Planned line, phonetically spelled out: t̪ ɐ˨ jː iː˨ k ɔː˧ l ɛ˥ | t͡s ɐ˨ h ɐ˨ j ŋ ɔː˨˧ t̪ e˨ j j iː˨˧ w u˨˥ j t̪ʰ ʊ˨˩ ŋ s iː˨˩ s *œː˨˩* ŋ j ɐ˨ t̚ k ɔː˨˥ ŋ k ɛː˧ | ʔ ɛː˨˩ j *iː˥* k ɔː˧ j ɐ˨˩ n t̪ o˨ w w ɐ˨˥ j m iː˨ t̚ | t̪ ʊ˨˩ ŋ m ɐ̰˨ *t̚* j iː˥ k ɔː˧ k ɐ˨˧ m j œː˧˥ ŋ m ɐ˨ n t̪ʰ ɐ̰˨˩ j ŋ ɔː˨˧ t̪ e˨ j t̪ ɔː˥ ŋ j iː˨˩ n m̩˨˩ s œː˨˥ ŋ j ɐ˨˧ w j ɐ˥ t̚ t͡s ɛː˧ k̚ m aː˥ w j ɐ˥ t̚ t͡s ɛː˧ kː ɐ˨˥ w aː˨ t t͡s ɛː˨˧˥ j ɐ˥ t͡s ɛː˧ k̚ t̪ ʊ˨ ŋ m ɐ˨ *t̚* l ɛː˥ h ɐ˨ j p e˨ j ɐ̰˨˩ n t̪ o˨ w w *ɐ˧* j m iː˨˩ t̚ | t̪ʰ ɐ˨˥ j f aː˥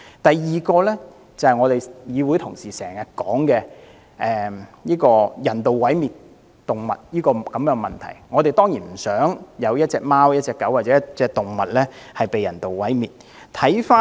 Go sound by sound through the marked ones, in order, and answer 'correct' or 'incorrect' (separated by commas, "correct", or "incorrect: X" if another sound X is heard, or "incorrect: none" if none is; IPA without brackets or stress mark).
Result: incorrect: ɛː˨˩, correct, correct, correct, incorrect: ɐ˨˥